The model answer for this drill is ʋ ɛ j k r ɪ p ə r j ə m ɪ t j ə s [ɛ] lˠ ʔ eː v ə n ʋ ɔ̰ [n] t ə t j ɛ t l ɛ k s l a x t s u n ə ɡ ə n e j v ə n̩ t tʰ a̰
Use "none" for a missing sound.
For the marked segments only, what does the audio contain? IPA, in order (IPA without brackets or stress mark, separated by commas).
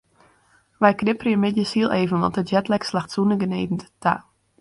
i, n